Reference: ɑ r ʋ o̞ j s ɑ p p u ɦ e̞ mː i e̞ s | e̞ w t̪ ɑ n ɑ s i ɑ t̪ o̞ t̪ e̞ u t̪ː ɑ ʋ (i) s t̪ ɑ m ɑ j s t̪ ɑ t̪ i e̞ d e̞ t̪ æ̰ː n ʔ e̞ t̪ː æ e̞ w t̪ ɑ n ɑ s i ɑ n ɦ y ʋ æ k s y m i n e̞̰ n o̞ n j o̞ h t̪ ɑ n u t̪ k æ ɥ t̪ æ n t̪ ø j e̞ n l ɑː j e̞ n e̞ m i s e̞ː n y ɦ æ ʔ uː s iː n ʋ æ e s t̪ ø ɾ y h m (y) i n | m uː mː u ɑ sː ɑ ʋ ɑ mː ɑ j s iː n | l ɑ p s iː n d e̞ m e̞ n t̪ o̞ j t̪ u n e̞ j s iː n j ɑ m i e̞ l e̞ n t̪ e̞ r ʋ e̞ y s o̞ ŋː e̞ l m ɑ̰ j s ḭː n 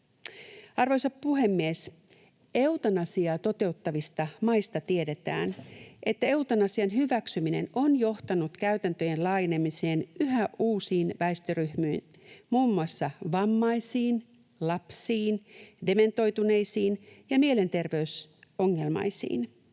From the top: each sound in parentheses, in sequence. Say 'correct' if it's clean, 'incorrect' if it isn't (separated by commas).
correct, correct